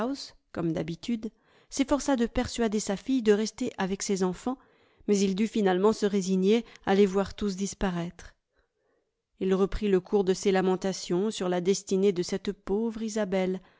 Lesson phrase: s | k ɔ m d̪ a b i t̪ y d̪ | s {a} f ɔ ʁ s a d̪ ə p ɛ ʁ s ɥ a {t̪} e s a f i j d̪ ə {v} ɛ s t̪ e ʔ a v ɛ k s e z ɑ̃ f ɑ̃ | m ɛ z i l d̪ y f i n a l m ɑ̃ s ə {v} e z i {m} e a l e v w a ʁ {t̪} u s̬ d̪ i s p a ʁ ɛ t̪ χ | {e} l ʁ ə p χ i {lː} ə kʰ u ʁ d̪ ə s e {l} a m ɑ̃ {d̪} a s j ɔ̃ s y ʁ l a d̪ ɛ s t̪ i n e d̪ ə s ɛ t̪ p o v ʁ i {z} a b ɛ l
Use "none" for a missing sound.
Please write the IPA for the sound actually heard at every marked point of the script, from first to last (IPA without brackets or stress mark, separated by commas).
e, d̪, ʁ, ʁ, ɲ, t̪, i, l, l, t̪, z